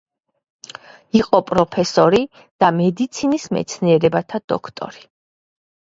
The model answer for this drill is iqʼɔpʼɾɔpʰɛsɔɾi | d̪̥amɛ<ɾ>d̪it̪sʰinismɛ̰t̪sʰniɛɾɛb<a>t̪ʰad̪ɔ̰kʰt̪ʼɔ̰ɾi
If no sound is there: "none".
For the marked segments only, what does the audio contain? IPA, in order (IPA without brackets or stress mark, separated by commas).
none, a